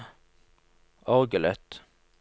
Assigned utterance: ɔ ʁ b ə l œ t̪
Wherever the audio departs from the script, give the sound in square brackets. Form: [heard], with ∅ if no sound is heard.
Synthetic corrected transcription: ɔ ʁ [ɡ] ə l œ t̪